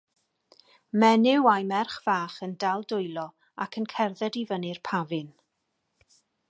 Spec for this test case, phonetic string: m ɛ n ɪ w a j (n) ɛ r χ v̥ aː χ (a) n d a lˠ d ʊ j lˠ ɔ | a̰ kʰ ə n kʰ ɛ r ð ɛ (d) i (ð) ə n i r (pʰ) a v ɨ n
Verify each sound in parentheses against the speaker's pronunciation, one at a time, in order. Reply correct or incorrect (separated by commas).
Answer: incorrect, incorrect, correct, incorrect, correct